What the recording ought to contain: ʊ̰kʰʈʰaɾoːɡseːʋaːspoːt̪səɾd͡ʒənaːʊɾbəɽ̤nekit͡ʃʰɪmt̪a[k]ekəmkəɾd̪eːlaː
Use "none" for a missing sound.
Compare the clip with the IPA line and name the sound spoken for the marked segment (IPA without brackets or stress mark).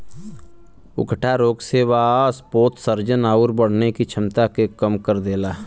k